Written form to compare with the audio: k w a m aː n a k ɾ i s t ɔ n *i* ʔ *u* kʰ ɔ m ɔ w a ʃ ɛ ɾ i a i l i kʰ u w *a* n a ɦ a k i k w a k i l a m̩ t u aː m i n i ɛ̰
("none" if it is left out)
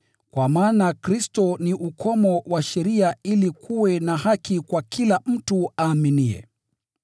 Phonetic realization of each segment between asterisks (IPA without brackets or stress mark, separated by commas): i, u, ɛ